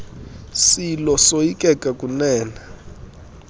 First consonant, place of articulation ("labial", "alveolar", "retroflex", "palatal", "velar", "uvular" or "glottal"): alveolar